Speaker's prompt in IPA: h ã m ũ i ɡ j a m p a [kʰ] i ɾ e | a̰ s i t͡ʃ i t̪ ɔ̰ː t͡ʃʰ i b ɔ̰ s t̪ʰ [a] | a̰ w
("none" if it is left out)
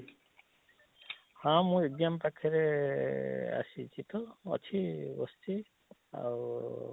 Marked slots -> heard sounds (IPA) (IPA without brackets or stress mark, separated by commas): kʰ, i